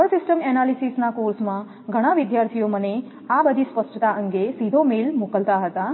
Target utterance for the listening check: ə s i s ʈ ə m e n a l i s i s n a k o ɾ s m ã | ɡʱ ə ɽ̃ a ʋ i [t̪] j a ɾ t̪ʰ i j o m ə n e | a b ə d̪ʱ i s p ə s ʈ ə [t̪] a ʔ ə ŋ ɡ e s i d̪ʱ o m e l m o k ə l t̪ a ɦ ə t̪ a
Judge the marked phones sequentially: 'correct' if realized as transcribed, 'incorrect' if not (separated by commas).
incorrect, correct